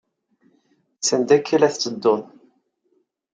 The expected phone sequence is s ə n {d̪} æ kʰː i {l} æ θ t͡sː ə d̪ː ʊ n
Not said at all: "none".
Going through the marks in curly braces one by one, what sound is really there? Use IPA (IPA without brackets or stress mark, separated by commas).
d̪, l